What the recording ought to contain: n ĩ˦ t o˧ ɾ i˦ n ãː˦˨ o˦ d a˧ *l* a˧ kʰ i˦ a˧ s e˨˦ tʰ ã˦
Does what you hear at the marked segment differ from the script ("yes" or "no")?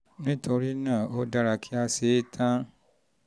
yes